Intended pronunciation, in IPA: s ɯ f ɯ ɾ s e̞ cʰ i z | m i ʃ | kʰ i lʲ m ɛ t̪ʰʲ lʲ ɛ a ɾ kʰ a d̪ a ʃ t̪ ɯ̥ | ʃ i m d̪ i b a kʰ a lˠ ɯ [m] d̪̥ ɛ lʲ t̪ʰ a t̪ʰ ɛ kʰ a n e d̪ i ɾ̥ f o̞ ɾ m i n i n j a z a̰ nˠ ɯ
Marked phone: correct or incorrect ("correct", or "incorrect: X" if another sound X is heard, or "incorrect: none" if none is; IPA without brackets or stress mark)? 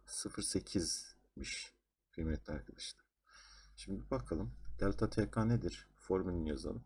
correct